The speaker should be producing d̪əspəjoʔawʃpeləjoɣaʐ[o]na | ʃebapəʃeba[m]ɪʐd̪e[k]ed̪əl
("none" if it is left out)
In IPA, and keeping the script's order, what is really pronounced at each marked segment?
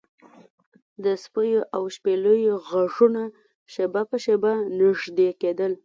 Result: u, n, k

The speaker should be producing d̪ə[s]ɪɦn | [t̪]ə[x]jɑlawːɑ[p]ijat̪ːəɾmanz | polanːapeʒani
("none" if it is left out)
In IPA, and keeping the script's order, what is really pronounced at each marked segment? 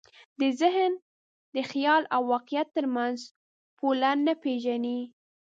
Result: z, d̪, x, q

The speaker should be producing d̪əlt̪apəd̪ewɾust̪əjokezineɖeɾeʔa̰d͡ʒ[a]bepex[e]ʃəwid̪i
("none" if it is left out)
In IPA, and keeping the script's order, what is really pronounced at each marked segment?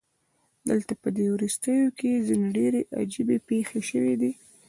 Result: i, e

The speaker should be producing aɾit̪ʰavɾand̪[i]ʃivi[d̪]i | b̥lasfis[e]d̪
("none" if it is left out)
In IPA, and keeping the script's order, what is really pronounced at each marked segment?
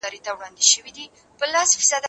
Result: i, d̪, a

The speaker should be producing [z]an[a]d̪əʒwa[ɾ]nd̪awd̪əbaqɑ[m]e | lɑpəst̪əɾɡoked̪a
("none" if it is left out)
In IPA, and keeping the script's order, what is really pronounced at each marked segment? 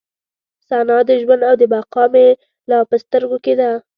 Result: s, ɑ, none, m

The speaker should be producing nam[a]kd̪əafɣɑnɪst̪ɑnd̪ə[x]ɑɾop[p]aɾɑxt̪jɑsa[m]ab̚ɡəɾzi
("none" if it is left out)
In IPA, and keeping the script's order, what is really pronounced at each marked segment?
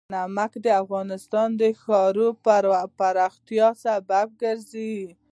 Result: a, x, p, b

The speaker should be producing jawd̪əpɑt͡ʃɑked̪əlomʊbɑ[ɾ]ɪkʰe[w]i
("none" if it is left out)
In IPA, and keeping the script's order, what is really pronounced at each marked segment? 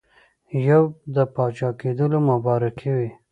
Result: ɾ, w

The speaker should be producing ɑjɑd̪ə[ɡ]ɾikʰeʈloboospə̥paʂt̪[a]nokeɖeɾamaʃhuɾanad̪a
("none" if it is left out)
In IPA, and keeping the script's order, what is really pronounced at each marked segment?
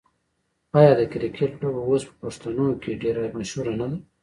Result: k, a

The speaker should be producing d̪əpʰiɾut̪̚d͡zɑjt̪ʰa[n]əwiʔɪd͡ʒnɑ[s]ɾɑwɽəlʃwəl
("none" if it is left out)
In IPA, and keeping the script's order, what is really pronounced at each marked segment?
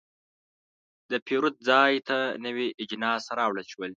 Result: n, s

